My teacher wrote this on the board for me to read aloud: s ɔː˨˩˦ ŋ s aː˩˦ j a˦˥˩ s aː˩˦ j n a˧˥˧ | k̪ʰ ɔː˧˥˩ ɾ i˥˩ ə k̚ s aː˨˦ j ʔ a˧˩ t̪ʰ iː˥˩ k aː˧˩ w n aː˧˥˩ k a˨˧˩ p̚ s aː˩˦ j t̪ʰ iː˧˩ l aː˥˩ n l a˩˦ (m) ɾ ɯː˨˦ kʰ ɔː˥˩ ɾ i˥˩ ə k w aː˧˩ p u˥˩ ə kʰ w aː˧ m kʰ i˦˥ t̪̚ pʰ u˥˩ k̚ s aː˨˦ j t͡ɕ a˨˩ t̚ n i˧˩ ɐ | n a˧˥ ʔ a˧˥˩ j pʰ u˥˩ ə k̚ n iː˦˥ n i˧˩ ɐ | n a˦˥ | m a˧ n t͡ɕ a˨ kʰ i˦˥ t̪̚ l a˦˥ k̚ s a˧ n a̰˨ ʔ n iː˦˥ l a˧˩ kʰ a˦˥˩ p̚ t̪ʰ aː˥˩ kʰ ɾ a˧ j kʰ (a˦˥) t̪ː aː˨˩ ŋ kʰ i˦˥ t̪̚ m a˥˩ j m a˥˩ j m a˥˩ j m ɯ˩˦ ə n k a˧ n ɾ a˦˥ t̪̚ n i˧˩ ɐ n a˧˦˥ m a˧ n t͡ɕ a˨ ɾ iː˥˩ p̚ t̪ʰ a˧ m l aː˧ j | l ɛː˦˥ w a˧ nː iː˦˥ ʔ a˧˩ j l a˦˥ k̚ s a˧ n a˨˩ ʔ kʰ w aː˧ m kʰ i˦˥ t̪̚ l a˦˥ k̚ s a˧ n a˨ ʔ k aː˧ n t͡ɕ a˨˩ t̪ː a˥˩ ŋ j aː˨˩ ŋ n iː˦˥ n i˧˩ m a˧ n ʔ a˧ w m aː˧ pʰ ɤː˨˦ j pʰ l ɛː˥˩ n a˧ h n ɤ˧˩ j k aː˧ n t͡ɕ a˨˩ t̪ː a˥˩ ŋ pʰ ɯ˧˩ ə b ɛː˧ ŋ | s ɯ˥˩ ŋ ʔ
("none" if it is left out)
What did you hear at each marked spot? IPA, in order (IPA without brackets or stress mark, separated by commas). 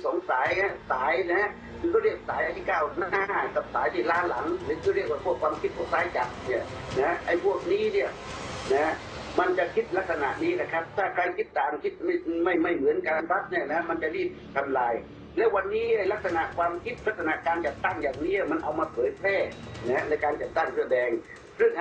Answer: ŋ, i˦˥